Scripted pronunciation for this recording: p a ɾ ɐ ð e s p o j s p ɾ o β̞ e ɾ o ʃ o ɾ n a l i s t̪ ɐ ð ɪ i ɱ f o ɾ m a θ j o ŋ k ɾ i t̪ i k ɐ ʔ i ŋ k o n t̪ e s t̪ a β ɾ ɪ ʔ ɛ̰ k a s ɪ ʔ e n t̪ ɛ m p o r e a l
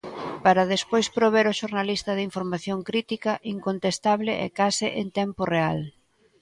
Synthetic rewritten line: p a ɾ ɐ ð e s p o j s p ɾ o β̞ e ɾ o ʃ o ɾ n a l i s t̪ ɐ ð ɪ i ɱ f o ɾ m a θ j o ŋ k ɾ i t̪ i k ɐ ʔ i ŋ k o n t̪ e s t̪ a β l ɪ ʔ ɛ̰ k a s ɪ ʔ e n t̪ ɛ m p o r e a l

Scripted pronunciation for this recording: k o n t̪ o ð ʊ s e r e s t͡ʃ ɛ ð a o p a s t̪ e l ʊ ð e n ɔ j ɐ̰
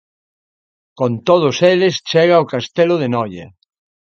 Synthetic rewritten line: k o n t̪ o ð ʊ s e l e s t͡ʃ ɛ ɣ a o k a s t̪ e l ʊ ð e n ɔ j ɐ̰

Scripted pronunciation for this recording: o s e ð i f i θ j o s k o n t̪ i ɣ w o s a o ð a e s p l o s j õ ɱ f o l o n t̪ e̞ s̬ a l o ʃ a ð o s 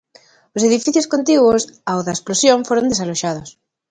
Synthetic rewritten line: o s e ð i f i θ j o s k o n t̪ i ɣ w o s a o ð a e s p l o s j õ ɱ f o ɾ o n d̪ e̞ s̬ a l o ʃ a ð o s

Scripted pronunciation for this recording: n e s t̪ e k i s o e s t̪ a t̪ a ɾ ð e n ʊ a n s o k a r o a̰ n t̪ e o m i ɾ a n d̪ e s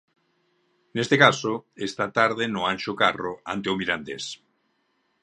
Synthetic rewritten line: n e s t̪ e k a s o e s t̪ a t̪ a ɾ ð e n ʊ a n ʃ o k a r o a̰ n t̪ e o m i ɾ a n d̪ e s

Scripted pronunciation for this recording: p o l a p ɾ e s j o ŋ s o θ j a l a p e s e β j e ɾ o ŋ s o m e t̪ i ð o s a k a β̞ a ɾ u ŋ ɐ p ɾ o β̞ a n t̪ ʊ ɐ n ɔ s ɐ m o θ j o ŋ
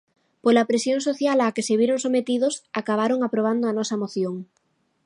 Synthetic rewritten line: p o l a p ɾ e s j o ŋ s o θ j a l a k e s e β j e ɾ o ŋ s o m e t̪ i ð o s a k a β̞ a ɾ o ŋ a p ɾ o β̞ a n d̪ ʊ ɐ n ɔ s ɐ m o θ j o ŋ

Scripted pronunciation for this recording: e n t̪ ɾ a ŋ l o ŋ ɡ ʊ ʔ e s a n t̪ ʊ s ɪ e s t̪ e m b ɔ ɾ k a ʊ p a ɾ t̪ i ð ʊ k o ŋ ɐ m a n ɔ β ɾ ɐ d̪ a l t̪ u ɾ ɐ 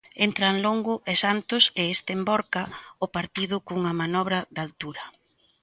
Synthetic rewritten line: e n t̪ ɾ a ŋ l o ŋ ɡ ʊ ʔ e s a n t̪ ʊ s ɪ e s t̪ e m b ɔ ɾ k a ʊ p a ɾ t̪ i ð ʊ k u ŋ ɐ m a n ɔ β ɾ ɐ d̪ a l t̪ u ɾ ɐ

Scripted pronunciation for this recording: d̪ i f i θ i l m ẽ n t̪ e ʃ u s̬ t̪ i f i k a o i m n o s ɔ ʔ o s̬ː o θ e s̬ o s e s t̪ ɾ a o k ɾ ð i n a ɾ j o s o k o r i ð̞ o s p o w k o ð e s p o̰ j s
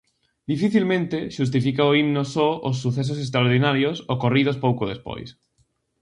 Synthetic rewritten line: d̪ i f i θ i l m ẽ n t̪ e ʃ u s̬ t̪ i f i k a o i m n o s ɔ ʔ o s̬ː u θ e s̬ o s e s t̪ ɾ a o ɾ ð i n a ɾ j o s o k o r i ð̞ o s p o w k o ð e s p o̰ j s

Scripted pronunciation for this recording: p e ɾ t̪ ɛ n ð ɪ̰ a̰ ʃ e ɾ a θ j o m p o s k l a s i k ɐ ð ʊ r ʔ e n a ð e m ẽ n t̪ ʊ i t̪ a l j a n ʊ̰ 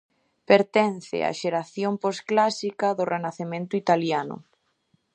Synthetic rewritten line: p e ɾ t̪ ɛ n θ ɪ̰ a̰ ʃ e ɾ a θ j o m p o s k l a s i k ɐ ð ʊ r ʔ e n a θ e m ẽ n t̪ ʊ i t̪ a l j a n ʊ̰

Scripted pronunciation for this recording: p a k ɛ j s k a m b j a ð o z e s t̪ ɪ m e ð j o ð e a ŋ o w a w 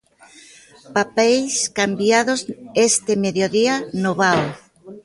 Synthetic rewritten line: p a p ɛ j s k a m b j a ð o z e s t̪ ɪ m e ð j o ð i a n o β a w

